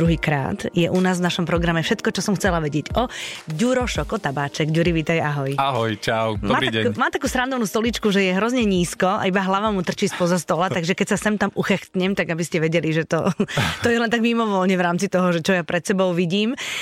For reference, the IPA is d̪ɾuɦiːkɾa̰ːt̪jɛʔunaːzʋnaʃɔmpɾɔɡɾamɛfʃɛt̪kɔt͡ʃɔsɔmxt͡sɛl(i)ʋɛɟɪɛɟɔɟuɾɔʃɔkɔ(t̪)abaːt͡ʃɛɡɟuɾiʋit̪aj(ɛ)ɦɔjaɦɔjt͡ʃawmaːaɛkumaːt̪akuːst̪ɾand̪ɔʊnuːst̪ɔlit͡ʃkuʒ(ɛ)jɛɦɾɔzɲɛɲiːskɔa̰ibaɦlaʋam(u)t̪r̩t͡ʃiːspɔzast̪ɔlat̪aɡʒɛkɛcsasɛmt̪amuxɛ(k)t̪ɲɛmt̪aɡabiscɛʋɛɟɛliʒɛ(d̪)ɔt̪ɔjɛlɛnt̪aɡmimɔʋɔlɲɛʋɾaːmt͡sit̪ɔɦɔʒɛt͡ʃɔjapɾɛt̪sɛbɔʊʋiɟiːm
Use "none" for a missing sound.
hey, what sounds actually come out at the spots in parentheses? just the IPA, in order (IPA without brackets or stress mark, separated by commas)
a, t̪, a, ɛ, u, x, t̪